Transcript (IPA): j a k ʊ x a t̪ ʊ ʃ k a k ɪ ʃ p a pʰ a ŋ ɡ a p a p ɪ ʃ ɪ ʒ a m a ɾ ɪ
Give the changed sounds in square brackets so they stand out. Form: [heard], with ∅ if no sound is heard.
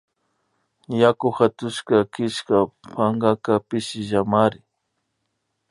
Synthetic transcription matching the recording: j a k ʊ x a t̪ ʊ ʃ k a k ɪ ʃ [k] a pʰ a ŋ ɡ a [k] a p ɪ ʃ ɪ ʒ a m a ɾ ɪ